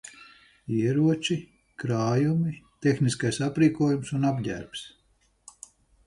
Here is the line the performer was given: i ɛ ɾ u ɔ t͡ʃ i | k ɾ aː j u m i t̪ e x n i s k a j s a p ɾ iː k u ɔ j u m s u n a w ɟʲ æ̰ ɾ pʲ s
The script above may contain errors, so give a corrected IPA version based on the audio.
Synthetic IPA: i ɛ ɾ u ɔ t͡ʃ i | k ɾ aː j u m i t̪ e x n i s k a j s a p ɾ iː k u ɔ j u m s u n a b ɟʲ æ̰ ɾ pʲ s